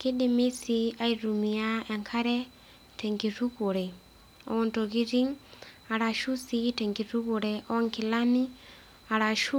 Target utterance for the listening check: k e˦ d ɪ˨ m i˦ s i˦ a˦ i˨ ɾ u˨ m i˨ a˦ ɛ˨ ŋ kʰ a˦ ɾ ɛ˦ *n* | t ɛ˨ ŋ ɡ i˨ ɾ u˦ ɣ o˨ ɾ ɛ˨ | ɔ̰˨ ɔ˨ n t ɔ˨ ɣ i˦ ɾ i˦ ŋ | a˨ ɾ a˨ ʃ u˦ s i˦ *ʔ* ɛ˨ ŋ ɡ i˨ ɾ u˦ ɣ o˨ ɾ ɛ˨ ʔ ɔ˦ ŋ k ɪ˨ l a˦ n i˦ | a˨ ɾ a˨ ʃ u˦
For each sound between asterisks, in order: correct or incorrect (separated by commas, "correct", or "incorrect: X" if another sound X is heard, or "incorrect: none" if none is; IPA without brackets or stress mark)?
incorrect: none, incorrect: t